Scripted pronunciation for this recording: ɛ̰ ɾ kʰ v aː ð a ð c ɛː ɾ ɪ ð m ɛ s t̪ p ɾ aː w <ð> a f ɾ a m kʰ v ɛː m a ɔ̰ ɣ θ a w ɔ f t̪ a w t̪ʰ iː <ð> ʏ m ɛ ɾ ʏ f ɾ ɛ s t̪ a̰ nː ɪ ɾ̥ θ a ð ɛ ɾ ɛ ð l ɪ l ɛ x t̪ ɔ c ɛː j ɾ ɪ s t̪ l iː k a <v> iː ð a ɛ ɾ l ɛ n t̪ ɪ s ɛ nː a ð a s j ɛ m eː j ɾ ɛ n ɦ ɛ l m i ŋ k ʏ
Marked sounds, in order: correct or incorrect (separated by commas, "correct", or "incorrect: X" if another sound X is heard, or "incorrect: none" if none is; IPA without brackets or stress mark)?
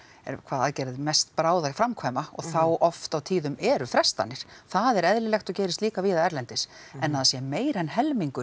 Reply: correct, correct, correct